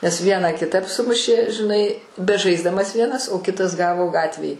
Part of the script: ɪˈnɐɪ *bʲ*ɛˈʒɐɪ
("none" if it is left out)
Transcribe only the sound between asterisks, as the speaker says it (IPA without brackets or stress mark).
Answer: bʲ